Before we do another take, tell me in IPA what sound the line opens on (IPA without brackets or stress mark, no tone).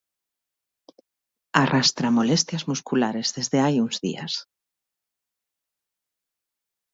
a